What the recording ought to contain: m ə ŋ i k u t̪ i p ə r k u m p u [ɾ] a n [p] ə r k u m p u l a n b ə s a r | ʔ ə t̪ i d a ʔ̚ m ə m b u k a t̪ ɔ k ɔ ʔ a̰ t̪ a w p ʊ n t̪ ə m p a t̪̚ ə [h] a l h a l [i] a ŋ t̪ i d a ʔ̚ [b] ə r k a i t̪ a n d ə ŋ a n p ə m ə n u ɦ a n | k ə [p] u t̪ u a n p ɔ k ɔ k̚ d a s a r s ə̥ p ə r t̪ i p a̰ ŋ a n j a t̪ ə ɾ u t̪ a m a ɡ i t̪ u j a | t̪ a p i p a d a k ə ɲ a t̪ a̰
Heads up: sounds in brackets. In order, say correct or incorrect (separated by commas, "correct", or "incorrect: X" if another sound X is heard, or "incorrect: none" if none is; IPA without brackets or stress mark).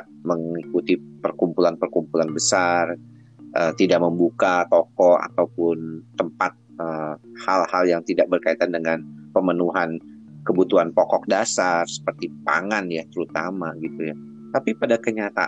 incorrect: l, correct, correct, incorrect: j, correct, incorrect: b